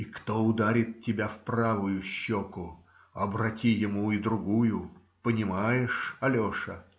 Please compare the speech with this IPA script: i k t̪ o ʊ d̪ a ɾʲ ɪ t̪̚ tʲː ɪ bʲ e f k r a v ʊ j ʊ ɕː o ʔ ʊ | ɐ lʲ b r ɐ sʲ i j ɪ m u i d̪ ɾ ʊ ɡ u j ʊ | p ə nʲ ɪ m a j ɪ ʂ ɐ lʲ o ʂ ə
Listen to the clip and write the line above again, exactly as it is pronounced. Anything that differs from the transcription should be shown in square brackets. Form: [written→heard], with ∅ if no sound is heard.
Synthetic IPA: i k t̪ o ʊ d̪ a ɾʲ ɪ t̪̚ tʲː ɪ bʲ [e→a] f [k→p] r a v ʊ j ʊ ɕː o [ʔ→k] ʊ | ɐ [lʲ→∅] b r ɐ [sʲ→tʲ] i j ɪ m u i d̪ ɾ ʊ ɡ u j ʊ | p ə nʲ ɪ m a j ɪ ʂ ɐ lʲ o ʂ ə